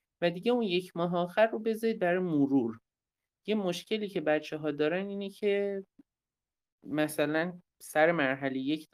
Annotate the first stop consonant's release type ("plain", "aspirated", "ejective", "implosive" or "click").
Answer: plain